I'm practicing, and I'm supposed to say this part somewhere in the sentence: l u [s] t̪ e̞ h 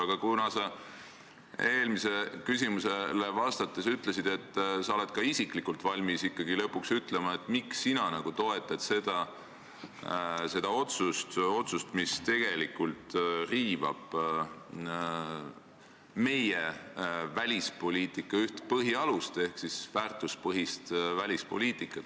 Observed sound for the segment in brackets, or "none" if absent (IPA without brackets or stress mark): s